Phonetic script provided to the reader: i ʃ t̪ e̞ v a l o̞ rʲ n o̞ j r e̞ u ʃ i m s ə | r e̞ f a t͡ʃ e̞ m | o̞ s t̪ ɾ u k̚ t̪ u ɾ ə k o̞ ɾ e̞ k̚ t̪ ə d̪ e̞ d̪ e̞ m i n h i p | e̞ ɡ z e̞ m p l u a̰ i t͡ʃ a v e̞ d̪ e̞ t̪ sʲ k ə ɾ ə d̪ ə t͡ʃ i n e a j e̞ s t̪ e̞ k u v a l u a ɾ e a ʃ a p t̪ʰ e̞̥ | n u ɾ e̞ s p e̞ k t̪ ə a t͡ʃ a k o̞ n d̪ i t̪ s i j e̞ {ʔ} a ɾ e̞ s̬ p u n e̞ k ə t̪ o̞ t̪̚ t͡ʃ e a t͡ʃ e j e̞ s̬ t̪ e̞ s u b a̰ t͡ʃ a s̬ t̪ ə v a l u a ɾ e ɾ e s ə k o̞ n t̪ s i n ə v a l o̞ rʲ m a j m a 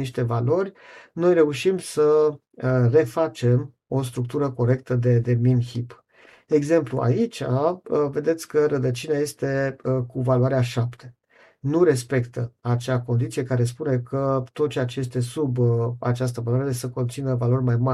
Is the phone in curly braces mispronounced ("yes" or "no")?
yes